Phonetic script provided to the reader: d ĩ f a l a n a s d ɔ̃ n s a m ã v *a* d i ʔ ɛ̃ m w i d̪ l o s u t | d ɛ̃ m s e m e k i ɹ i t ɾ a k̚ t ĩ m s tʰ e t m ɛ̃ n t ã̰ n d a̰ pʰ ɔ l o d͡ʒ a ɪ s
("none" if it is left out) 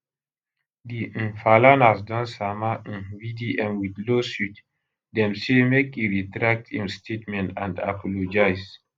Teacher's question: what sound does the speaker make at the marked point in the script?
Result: i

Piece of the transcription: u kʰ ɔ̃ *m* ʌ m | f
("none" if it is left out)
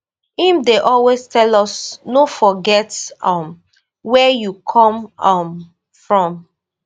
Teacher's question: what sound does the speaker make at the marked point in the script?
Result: m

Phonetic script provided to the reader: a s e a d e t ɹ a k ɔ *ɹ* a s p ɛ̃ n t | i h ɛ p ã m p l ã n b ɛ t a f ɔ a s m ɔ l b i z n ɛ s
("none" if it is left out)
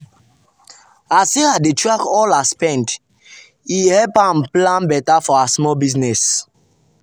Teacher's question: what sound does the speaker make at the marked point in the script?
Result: l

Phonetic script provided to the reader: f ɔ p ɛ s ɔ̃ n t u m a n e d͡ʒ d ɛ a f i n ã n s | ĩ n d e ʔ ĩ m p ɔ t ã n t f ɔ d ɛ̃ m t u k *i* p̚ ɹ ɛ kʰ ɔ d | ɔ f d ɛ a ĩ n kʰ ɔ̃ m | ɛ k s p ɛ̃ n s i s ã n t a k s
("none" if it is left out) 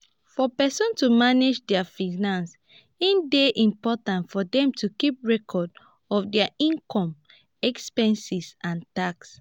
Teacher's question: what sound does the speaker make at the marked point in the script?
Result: i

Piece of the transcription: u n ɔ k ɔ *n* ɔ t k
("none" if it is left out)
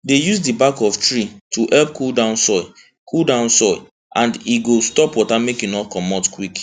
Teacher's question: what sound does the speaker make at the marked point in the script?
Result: m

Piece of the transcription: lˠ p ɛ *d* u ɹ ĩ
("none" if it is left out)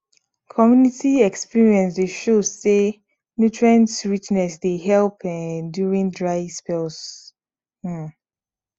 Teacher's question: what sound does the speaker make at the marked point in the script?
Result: d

